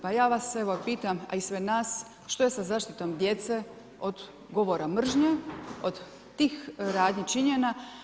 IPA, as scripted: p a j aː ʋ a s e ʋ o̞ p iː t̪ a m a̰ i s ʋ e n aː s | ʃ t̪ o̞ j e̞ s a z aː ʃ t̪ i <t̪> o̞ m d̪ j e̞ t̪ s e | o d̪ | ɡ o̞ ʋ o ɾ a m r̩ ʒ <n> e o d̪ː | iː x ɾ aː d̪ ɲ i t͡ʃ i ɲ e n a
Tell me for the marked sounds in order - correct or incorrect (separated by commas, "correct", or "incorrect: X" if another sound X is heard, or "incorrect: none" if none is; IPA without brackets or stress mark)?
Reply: correct, incorrect: ɲ